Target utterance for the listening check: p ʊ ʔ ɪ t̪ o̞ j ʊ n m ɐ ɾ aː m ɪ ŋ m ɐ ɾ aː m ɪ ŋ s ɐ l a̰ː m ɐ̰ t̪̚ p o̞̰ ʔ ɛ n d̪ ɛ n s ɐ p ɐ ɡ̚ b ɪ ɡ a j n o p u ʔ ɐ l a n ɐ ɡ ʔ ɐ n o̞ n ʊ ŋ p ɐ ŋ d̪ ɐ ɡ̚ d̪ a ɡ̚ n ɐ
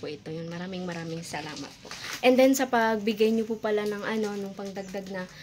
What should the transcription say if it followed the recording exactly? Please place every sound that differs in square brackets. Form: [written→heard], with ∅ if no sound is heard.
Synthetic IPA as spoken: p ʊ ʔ ɪ t̪ o̞ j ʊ n m ɐ ɾ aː m ɪ ŋ m ɐ ɾ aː m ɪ ŋ s ɐ l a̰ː m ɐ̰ t̪̚ p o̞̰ ʔ ɛ n d̪ ɛ n s ɐ p ɐ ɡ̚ b ɪ ɡ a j [n→ɲ] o p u [ʔ→p] ɐ l a n ɐ [ɡ→ŋ] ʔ ɐ n o̞ n ʊ ŋ p ɐ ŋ d̪ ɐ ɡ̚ d̪ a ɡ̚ n ɐ